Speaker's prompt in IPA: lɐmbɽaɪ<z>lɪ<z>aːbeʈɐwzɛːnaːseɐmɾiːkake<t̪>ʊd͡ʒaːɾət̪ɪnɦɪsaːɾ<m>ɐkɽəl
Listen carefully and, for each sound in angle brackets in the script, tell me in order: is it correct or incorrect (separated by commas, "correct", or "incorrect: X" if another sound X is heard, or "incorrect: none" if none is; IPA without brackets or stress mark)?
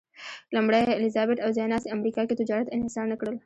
incorrect: none, correct, correct, incorrect: n